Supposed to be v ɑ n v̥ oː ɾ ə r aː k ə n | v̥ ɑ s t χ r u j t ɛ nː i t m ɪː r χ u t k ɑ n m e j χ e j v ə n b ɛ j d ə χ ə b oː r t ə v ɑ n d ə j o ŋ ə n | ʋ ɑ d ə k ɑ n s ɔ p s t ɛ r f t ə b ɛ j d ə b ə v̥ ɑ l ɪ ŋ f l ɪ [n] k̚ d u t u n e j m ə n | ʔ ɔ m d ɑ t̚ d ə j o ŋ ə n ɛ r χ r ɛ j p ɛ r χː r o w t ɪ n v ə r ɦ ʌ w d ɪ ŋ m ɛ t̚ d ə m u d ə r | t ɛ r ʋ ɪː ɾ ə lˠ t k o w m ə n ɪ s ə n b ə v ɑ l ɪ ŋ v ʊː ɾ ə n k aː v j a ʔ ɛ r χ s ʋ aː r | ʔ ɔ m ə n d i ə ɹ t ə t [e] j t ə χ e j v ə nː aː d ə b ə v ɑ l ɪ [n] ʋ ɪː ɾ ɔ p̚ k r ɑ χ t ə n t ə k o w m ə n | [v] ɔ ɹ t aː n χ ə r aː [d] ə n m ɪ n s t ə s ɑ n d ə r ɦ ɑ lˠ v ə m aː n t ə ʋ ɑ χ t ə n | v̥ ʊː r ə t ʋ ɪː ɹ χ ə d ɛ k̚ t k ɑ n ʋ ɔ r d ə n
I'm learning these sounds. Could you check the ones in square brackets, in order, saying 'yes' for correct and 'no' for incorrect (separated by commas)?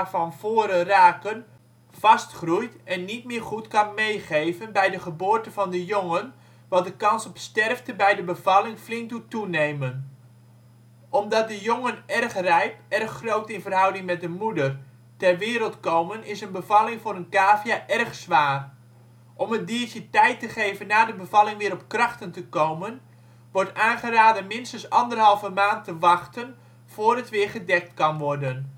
no, no, no, no, yes